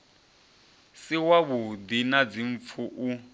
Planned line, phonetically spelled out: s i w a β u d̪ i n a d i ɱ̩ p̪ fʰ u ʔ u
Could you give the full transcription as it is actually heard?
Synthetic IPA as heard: s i w a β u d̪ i n a d͡z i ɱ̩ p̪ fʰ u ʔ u